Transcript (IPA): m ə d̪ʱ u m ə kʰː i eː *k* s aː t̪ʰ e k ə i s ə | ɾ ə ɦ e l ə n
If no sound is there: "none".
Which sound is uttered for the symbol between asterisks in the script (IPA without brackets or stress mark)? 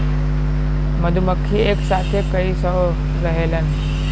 k